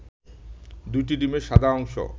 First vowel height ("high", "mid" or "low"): high